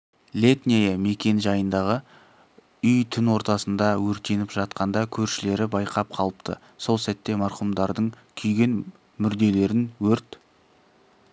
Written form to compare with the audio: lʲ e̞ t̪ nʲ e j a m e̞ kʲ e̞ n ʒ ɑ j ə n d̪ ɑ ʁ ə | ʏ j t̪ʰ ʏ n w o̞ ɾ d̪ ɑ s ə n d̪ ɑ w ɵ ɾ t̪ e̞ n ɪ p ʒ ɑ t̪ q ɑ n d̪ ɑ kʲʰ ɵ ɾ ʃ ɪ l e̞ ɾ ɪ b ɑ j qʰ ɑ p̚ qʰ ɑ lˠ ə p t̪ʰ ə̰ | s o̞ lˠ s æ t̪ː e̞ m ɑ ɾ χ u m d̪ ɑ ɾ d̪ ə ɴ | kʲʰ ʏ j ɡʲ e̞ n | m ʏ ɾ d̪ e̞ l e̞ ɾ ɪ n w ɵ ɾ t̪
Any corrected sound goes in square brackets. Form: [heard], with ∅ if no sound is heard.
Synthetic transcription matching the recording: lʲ e̞ t̪ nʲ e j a m e̞ kʲ e̞ n ʒ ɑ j ə n d̪ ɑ ʁ ə | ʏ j t̪ʰ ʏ n w o̞ ɾ [t̪] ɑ s ə n d̪ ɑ w ɵ ɾ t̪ e̞ n ɪ p ʒ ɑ t̪ q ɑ n d̪ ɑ kʲʰ ɵ ɾ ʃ ɪ l e̞ ɾ ɪ b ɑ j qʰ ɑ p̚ qʰ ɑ lˠ ə p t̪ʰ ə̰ | s o̞ lˠ s æ t̪ː e̞ m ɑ ɾ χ u m d̪ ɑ ɾ d̪ ə ɴ | kʲʰ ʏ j ɡʲ e̞ n | m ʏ ɾ d̪ e̞ l e̞ ɾ ɪ n w ɵ ɾ t̪